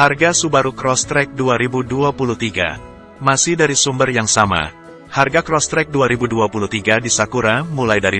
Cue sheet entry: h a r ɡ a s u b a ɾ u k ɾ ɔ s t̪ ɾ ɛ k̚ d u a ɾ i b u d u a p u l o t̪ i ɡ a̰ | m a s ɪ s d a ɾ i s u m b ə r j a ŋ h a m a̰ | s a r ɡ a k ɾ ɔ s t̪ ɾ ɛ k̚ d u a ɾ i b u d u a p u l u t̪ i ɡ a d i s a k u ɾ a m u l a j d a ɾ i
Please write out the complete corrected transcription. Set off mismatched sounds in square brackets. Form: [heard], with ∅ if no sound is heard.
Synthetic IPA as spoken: h a r ɡ a s u b a ɾ u k ɾ ɔ s t̪ ɾ ɛ k̚ d u a ɾ i b u d u a p u l [u] t̪ i ɡ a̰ | m a s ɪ [h] d a ɾ i s u m b ə r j a ŋ [s] a m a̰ | [h] a r ɡ a k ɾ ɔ s t̪ ɾ ɛ k̚ d u a ɾ i b u d u a p u l u t̪ i ɡ a d i s a k u ɾ a m u l a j d a ɾ i